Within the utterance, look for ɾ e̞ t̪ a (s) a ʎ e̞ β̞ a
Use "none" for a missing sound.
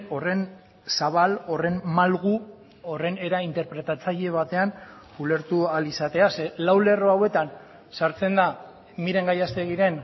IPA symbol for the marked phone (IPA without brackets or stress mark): t͡s